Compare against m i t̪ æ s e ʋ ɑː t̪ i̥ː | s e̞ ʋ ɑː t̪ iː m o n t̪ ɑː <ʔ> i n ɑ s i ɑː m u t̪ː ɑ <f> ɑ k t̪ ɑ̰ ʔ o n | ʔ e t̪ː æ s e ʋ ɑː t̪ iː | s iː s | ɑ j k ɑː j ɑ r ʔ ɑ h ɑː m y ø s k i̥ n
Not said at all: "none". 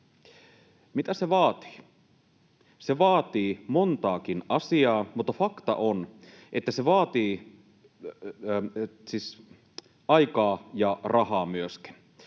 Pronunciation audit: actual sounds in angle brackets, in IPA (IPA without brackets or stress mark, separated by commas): k, f